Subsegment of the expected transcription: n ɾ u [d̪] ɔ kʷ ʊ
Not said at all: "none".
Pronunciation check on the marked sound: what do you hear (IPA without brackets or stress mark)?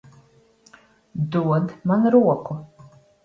none